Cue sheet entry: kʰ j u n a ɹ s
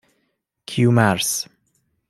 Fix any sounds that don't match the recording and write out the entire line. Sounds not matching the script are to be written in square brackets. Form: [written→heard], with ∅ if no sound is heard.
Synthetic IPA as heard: kʰ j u [n→m] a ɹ s